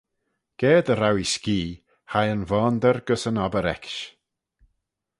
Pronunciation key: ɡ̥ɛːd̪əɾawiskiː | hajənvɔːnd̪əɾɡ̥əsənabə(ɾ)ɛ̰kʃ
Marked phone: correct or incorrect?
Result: correct